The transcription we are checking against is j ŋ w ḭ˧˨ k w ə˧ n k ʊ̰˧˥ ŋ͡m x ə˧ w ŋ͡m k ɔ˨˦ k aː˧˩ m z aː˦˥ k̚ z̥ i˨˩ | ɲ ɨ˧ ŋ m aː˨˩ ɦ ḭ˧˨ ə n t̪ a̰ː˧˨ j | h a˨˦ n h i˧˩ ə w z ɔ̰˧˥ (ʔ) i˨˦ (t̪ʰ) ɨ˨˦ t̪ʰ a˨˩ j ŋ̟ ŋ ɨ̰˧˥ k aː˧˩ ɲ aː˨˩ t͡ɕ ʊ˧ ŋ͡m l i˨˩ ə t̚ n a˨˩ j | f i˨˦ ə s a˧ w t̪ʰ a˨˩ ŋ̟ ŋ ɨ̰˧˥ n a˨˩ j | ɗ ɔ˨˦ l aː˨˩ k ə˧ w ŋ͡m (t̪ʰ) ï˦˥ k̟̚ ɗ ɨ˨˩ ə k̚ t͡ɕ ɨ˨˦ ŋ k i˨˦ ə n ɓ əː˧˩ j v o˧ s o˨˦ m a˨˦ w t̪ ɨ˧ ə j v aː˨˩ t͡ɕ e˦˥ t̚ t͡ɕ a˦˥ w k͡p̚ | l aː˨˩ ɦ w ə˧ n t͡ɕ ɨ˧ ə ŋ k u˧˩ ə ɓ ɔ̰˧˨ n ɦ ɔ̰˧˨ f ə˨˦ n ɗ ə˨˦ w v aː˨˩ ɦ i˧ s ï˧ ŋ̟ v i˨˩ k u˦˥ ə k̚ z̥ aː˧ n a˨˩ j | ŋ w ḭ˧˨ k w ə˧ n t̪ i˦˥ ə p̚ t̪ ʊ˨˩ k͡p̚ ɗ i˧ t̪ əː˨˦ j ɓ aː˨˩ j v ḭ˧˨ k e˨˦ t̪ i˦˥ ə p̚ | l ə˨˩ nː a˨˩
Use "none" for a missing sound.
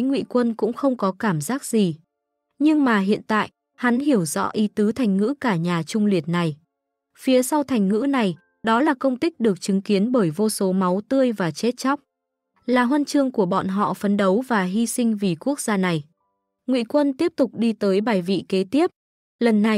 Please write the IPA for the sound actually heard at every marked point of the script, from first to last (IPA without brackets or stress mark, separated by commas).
ʔ, t̪, t̪